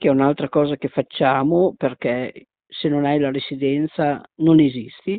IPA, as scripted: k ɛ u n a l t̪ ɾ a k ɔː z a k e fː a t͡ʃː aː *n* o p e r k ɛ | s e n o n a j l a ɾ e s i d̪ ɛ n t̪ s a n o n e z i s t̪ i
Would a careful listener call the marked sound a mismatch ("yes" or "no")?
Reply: yes